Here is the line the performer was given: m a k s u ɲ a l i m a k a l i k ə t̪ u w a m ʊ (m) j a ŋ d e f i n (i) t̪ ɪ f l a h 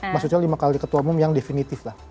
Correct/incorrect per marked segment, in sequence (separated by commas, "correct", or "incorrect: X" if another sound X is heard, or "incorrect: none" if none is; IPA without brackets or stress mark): correct, correct